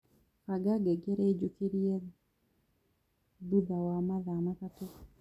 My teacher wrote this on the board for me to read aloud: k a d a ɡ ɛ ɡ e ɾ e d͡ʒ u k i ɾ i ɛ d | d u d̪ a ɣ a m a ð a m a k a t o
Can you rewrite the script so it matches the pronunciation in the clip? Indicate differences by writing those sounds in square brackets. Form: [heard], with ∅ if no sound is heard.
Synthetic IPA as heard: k a [ɡ] a ɡ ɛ ɡ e ɾ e d͡ʒ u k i ɾ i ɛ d | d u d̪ a [w] a m a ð a m a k a t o